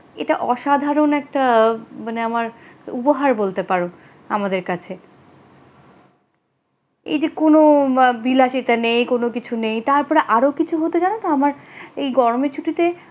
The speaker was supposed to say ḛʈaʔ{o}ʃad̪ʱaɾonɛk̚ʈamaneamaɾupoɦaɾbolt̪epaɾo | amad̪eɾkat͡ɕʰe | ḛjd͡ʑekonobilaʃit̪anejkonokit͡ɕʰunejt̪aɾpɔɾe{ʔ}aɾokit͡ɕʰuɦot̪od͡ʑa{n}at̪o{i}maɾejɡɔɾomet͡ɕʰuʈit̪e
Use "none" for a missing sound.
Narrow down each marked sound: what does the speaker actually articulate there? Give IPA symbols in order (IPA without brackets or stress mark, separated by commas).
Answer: ɔ, ʔ, n, a